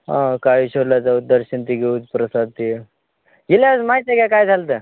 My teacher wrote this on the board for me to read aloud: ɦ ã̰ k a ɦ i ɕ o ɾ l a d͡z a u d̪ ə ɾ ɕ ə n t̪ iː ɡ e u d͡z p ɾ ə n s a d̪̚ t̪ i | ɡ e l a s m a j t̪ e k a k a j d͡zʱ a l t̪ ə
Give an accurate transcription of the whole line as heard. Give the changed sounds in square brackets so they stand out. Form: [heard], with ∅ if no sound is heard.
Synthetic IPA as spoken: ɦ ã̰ k a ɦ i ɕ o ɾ l a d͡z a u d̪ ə ɾ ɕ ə n t̪ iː ɡ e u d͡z p ɾ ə [∅] s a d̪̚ t̪ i | ɡ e l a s m a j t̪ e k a k a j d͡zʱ a l t̪ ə